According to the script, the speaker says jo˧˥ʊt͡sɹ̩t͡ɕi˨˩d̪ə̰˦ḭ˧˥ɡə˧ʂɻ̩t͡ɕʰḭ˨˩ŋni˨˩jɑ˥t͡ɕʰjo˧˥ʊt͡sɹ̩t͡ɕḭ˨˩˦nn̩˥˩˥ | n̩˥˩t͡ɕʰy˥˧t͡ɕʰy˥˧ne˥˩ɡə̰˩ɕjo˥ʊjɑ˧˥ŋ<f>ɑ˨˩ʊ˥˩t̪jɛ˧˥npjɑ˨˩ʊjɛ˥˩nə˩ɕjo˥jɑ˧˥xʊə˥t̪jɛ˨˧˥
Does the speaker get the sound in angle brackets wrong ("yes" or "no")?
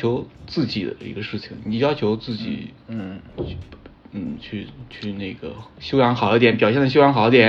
yes